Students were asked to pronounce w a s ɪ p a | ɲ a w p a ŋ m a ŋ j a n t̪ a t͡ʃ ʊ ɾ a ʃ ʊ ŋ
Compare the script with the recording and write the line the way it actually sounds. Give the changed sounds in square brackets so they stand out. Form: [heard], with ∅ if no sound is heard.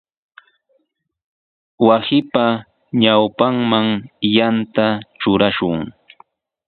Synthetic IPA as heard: w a s ɪ p a | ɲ a w p a ŋ m a ŋ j a n t̪ a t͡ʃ ʊ ɾ a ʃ ʊ ŋ